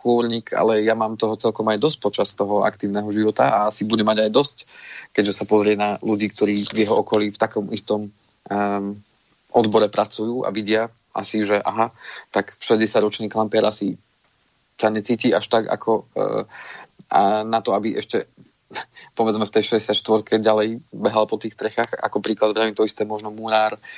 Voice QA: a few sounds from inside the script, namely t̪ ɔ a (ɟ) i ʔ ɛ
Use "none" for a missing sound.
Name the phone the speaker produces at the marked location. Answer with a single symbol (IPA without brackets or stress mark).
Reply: b